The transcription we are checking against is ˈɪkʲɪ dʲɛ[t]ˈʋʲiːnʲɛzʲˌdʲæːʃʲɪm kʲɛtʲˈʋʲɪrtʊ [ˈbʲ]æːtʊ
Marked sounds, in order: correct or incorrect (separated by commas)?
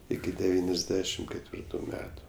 incorrect, incorrect